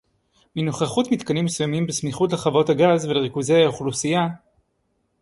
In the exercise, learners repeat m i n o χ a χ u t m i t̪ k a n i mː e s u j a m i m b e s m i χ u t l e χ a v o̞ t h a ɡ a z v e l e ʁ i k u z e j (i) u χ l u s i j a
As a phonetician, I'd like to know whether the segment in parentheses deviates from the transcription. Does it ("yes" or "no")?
yes